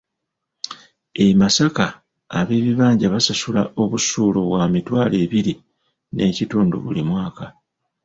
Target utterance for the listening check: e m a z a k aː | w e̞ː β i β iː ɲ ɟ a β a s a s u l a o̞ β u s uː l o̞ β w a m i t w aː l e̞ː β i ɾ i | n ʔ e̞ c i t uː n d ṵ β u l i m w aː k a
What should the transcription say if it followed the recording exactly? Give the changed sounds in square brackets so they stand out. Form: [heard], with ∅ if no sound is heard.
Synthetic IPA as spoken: e m a [s] a k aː | [β] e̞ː β i β [aː] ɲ ɟ a β a s a s u l a o̞ β u s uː l o̞ β w a m i t w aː l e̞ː β i ɾ i | n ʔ e̞ c i t uː n d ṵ β u l i m w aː k a